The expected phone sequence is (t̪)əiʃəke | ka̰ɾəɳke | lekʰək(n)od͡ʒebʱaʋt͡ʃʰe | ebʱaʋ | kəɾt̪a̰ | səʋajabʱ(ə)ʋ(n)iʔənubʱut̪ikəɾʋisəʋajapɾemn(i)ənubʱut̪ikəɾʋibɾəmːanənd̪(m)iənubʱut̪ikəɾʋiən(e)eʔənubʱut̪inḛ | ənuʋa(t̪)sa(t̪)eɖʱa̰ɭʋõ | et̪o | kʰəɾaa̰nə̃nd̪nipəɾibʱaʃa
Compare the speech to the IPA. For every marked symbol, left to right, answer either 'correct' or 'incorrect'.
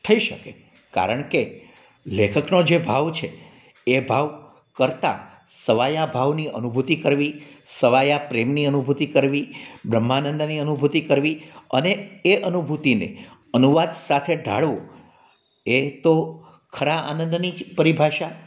incorrect: t̪ʰ, correct, incorrect: a, correct, correct, incorrect: n, correct, incorrect: d̪, incorrect: t̪ʰ

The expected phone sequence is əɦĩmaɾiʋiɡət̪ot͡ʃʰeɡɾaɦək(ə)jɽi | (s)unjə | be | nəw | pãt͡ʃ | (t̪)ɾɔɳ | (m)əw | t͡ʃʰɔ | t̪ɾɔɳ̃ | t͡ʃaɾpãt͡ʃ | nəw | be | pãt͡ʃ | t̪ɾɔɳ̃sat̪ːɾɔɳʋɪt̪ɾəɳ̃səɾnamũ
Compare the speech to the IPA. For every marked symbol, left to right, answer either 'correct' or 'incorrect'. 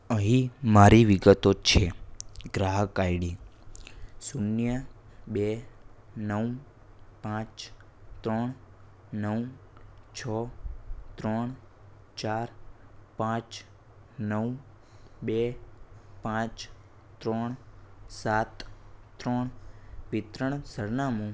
incorrect: a, correct, correct, incorrect: n

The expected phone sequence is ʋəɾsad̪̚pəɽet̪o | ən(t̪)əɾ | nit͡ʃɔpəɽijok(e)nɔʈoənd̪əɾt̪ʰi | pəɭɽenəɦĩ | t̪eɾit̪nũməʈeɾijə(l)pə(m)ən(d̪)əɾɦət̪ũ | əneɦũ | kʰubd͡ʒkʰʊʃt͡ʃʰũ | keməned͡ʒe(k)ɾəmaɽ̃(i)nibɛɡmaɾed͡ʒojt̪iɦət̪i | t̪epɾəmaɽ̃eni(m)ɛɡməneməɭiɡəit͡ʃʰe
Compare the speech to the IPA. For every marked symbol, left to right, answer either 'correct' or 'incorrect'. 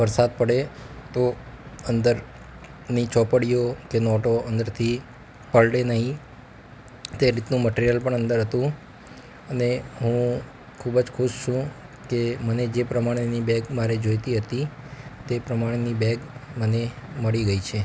incorrect: d̪, correct, correct, incorrect: ɳ, correct, incorrect: p, incorrect: e, incorrect: b

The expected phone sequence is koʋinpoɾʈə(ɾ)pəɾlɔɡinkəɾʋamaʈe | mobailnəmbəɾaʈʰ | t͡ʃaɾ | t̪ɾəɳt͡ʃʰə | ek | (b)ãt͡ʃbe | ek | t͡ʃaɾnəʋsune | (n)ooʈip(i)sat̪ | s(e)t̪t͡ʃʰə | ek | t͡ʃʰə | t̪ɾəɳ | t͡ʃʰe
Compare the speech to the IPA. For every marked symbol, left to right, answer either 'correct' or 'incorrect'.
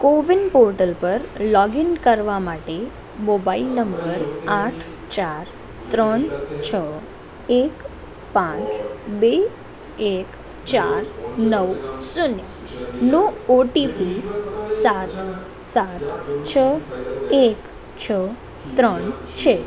incorrect: l, incorrect: p, correct, correct, incorrect: a

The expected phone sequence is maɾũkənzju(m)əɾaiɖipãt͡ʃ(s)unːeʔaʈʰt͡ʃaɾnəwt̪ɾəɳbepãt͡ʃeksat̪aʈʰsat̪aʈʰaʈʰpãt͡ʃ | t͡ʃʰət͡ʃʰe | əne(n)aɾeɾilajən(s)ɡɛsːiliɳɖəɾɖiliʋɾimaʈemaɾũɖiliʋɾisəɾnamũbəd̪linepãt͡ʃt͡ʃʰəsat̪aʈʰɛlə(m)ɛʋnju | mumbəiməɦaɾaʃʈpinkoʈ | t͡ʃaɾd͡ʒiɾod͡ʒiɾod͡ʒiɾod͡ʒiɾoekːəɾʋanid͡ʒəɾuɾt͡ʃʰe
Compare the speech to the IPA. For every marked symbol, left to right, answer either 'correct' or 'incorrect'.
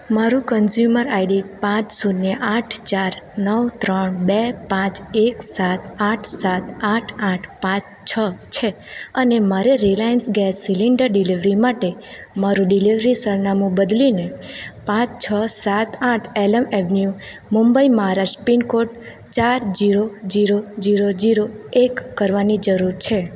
correct, correct, incorrect: m, correct, correct

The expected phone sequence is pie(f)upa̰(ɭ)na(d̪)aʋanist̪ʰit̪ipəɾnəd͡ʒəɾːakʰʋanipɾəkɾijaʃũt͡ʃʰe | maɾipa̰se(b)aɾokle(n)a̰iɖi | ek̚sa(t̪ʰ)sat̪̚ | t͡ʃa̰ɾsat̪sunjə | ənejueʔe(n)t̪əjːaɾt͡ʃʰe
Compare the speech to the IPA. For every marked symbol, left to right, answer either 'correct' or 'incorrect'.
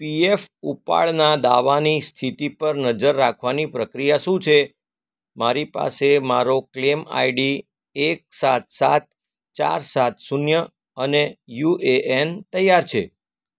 correct, correct, correct, incorrect: m, incorrect: m, incorrect: t̪, correct

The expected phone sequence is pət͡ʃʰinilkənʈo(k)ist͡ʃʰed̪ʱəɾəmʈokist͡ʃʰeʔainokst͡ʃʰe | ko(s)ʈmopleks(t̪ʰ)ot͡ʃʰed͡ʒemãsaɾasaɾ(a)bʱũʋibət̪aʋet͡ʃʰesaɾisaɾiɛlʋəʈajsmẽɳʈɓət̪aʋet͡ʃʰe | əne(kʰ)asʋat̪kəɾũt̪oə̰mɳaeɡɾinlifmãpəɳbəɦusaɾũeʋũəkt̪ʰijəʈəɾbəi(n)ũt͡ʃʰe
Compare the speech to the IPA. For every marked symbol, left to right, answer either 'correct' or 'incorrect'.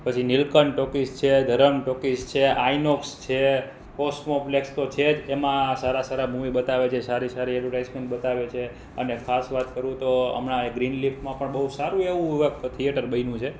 correct, correct, incorrect: t̪, correct, correct, correct

